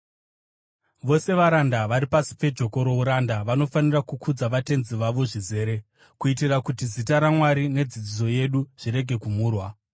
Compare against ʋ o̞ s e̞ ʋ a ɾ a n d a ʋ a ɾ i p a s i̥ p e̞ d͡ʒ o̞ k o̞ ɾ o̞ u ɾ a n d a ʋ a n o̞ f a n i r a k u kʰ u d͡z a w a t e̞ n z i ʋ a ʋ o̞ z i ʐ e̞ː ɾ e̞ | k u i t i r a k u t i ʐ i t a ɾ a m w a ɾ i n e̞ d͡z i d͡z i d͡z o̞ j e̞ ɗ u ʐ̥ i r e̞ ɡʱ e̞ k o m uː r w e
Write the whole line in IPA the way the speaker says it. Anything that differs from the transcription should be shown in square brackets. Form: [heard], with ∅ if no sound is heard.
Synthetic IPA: ʋ o̞ s e̞ ʋ a ɾ a n d a ʋ a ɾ i p a s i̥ p e̞ d͡ʒ o̞ k o̞ ɾ o̞ u ɾ a n d a ʋ a n o̞ f a n i r a k u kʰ u d͡z a [ʋ] a t e̞ n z i ʋ a ʋ o̞ [ʐ] i [z] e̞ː ɾ e̞ | k u i t i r a k u t i [z] i t a ɾ a m w a ɾ i n e̞ d͡z i d͡z i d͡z o̞ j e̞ ɗ u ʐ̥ i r e̞ ɡʱ e̞ k [u] m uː r w [a]